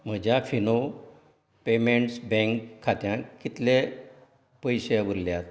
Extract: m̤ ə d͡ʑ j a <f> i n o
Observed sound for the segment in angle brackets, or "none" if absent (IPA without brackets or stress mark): f